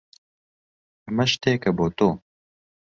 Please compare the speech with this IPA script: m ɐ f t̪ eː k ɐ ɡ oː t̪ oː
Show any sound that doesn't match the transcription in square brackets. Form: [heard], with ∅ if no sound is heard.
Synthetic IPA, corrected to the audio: m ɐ [ʃ] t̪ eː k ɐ [b] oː t̪ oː